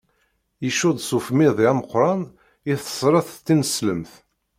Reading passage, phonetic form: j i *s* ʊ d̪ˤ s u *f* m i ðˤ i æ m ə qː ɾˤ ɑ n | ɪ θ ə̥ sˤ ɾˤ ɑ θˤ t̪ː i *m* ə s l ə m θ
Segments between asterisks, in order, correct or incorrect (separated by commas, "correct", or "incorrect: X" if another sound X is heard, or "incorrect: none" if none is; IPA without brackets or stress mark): incorrect: ʃ, correct, incorrect: n